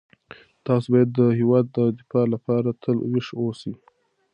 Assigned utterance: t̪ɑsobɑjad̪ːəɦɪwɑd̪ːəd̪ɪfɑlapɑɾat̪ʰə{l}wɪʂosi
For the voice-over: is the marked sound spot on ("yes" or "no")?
yes